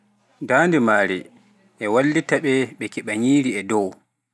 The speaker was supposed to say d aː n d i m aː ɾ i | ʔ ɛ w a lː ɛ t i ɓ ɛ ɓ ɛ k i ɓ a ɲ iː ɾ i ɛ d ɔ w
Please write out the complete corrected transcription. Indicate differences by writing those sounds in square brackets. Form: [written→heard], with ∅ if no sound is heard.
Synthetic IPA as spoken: d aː n d i m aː ɾ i | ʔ ɛ w a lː [ɛ→i] t [i→a] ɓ ɛ ɓ ɛ k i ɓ a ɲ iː ɾ i ɛ d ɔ w

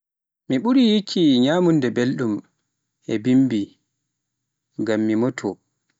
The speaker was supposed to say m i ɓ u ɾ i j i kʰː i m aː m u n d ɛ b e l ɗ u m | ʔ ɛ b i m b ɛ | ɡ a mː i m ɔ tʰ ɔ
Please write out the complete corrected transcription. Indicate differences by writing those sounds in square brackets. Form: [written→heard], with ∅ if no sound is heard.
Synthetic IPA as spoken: m i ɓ u ɾ i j i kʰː i [m→ɲ] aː m u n d ɛ b e l ɗ u m | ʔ ɛ b i m b [ɛ→i] | ɡ a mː i m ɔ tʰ ɔ

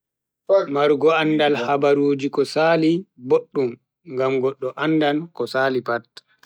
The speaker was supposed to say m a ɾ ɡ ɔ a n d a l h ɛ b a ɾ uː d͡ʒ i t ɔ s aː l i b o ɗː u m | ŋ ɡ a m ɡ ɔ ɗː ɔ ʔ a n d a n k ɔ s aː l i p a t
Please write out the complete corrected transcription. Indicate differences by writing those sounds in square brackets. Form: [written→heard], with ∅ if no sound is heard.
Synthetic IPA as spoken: m a ɾ ɡ ɔ a n d a l h [ɛ→a] b a ɾ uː d͡ʒ i [t→k] ɔ s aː l i b o ɗː u m | ŋ ɡ a m ɡ ɔ ɗː ɔ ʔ a n d a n k ɔ s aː l i p a t

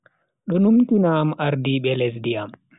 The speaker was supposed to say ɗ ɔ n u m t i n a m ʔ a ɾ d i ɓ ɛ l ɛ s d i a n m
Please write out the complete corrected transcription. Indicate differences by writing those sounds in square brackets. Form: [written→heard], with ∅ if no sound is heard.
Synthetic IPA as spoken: ɗ ɔ n u m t i n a m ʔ a ɾ d i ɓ ɛ l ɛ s d i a [n→∅] m

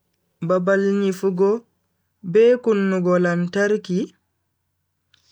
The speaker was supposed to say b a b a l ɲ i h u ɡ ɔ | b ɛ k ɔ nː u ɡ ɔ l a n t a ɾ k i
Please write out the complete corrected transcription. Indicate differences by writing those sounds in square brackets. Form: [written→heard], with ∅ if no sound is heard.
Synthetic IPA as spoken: b a b a l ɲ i [h→f] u ɡ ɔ | b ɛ k [ɔ→u] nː u ɡ ɔ l a n t a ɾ k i

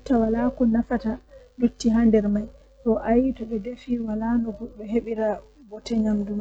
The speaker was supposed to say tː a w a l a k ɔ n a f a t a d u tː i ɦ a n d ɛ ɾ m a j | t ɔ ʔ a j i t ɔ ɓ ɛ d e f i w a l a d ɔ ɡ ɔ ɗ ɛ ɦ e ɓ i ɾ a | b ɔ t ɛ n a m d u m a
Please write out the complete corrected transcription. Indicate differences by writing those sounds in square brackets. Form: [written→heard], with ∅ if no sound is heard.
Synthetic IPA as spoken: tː a w a l a k ɔ n a f a t a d u tː i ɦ a n d ɛ ɾ m a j | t ɔ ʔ a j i t ɔ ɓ ɛ d e f i w a l a [d→n] ɔ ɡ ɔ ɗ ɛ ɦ e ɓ i ɾ a | b ɔ t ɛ [n→ɲ] a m d u m a

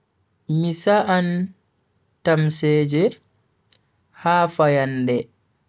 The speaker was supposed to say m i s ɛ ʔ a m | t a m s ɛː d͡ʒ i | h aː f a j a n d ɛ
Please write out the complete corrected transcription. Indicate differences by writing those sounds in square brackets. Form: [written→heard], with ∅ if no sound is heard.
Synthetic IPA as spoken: m i s [ɛ→a] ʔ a [m→n] | t a m s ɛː d͡ʒ [i→ɛ] | h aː f a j a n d ɛ

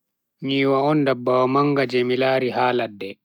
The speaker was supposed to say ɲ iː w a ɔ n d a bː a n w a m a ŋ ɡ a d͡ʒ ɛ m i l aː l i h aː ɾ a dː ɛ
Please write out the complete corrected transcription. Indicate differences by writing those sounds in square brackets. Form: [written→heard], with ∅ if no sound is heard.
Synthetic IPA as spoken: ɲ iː w a ɔ n d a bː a [n→∅] w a m a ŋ ɡ a d͡ʒ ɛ m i l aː [l→ɾ] i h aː [ɾ→l] a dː ɛ

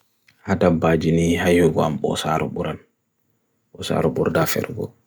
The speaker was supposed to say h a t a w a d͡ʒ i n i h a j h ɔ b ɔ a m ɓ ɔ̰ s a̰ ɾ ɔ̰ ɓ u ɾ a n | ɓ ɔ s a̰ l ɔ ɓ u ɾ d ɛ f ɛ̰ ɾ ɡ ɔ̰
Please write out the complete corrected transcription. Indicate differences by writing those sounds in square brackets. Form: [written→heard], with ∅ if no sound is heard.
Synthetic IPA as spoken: h a t a [w→b] a d͡ʒ i n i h a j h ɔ [b→ɡ] ɔ a m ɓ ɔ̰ s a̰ ɾ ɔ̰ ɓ u ɾ a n | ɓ ɔ s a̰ [l→ɾ] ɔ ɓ u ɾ d [ɛ→a] f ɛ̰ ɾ ɡ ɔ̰

